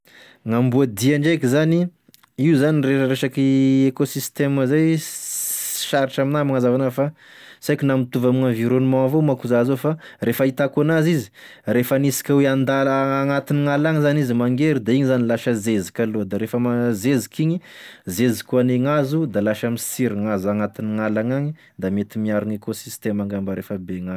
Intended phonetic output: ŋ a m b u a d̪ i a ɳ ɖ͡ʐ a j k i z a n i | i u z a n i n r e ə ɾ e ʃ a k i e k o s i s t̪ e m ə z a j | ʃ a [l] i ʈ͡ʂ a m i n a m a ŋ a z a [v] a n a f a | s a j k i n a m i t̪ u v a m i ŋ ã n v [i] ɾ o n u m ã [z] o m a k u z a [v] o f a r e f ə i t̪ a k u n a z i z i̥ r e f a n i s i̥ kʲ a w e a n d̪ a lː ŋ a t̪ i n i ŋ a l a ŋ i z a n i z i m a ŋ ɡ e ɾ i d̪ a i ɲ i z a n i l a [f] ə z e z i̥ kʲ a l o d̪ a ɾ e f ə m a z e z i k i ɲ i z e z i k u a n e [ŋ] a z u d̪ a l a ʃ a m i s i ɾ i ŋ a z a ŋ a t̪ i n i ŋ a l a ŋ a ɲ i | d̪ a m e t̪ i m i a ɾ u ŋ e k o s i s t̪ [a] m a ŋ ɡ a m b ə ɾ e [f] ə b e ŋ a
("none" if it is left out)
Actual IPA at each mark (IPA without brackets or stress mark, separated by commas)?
ɾ, v, i, v, z, ʃ, ŋ, e, f